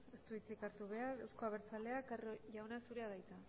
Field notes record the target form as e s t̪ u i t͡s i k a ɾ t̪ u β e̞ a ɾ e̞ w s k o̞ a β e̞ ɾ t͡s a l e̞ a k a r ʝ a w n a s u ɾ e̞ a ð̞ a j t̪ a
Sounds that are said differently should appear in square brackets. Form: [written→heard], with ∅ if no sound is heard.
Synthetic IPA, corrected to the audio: e s t̪ u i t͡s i k a ɾ t̪ u β e̞ a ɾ e̞ w s k o̞ a β e̞ ɾ t͡s a l e̞ a k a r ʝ a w n a s u ɾ e̞ a ð̞ a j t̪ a